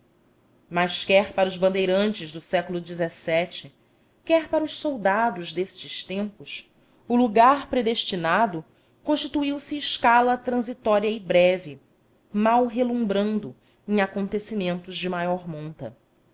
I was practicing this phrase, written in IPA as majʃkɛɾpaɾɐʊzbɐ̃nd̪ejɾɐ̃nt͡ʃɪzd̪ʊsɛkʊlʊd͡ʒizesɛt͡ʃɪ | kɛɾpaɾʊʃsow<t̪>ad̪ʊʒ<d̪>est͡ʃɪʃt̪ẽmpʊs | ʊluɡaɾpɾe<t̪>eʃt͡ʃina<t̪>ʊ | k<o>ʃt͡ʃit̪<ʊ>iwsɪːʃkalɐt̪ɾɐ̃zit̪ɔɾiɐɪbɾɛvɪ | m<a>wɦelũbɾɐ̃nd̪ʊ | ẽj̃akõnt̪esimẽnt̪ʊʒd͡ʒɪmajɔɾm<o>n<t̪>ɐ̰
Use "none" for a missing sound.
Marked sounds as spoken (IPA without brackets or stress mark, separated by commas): d̪, d̪, d̪, d̪, õ, u, a, õ, t̪